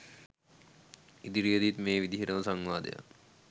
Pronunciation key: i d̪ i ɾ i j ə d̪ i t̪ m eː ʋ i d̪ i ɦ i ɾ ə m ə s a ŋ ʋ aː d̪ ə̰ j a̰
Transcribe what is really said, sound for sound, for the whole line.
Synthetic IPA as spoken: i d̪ i ɾ i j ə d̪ i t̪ m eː ʋ i d̪ i ɦ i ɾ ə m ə s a ŋ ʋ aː d̪ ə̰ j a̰